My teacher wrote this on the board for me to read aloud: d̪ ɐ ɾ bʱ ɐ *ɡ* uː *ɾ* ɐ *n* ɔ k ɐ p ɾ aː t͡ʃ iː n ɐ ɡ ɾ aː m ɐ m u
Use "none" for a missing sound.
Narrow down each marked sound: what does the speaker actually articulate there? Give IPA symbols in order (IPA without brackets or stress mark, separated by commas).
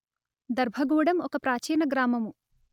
ɡ, ɽ, m